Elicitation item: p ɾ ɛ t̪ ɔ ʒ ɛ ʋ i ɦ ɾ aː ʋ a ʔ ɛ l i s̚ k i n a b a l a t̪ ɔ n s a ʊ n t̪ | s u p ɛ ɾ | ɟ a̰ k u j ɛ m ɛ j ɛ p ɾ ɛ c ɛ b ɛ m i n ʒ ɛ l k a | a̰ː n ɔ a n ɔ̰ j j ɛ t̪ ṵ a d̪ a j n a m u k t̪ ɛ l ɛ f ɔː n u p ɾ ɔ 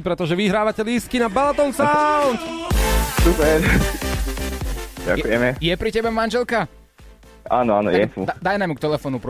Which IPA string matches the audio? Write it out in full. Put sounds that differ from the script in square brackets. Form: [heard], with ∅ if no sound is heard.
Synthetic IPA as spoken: p ɾ ɛ t̪ ɔ ʒ ɛ ʋ i ɦ ɾ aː ʋ a [c] ɛ l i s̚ k i n a b a l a t̪ ɔ n s a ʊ n t̪ | s u p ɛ ɾ | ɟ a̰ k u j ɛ m ɛ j ɛ p ɾ [i] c ɛ b ɛ m [a] n ʒ ɛ l k a | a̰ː n ɔ a n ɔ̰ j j ɛ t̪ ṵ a d̪ a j n a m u k t̪ ɛ l ɛ f ɔː n u p ɾ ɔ